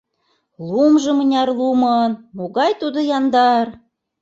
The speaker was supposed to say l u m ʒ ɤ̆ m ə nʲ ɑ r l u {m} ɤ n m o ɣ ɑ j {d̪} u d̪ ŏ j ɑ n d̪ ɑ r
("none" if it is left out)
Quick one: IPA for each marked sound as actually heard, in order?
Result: m, t̪

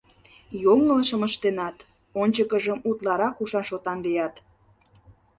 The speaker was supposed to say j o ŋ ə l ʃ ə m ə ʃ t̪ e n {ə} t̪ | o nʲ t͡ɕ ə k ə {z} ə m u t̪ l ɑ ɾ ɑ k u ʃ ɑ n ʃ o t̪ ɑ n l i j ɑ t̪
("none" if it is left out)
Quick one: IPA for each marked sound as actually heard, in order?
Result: ɑ, ʒ

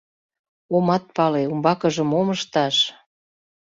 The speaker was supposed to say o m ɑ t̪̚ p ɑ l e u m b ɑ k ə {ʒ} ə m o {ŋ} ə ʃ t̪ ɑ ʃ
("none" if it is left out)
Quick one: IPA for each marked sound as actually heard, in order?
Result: ʒ, m

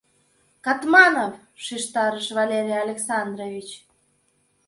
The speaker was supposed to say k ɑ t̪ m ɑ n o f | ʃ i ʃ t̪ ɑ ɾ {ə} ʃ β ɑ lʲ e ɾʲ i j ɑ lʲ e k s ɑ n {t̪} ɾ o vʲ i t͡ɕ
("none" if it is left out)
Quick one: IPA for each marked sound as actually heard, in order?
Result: ə, d̪

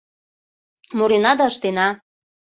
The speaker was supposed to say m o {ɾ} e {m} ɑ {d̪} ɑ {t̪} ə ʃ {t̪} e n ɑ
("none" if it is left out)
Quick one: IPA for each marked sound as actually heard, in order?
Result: ɾ, n, d̪, none, t̪

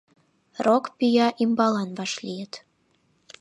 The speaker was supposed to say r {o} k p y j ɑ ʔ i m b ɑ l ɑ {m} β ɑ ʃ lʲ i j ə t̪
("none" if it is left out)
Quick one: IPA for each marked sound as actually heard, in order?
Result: o, n

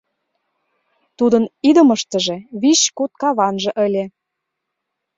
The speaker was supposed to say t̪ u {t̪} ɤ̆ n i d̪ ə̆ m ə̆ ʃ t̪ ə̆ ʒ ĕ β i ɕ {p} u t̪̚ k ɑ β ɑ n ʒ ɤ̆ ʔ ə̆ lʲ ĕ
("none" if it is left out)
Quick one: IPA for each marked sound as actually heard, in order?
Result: d̪, k

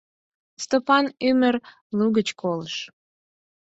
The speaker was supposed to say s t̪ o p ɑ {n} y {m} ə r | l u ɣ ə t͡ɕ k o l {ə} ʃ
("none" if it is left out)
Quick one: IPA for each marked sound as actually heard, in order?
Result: n, m, ə

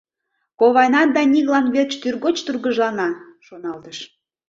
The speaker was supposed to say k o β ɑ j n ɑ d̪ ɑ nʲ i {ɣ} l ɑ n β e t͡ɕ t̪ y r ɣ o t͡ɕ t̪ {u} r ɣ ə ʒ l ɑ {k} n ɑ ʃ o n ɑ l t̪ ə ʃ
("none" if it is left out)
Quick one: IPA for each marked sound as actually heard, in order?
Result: ɣ, u, none

